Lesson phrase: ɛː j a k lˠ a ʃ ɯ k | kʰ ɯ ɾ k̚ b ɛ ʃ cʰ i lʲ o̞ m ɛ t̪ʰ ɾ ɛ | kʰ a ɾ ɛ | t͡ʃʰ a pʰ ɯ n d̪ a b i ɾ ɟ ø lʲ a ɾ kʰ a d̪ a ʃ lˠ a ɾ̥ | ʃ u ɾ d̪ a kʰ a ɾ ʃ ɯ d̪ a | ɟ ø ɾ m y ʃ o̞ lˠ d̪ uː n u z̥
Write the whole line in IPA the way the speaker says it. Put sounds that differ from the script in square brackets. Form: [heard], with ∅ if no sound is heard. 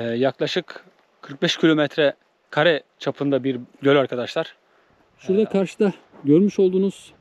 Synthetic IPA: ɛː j a k lˠ a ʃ ɯ k | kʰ ɯ ɾ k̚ b ɛ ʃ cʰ i lʲ o̞ m ɛ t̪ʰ ɾ ɛ | kʰ a ɾ ɛ | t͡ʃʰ a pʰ ɯ n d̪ a b i ɾ ɟ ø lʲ a ɾ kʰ a d̪ a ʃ lˠ a ɾ̥ | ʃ u ɾ d̪ a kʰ a ɾ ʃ ɯ d̪ a | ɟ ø ɾ m y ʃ o̞ lˠ d̪ uː n u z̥